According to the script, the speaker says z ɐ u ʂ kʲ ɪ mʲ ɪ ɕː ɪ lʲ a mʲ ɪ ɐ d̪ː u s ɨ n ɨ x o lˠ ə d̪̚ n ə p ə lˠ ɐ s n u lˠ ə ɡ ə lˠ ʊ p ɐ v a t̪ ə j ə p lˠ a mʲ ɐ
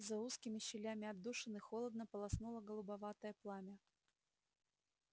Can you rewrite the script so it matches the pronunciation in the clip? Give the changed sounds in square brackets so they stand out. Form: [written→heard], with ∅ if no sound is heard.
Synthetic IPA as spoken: z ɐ u [ʂ→s] kʲ ɪ mʲ ɪ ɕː ɪ lʲ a mʲ ɪ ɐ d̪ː u [s→ʂ] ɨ n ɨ x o lˠ ə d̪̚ n ə p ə lˠ ɐ s n u lˠ ə ɡ ə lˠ ʊ [p→b] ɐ v a t̪ ə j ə p lˠ a mʲ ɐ